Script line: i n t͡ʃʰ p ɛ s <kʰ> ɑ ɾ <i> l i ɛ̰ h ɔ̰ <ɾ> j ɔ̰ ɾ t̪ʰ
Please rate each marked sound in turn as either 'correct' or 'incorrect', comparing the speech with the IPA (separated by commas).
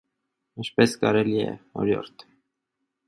incorrect, incorrect, correct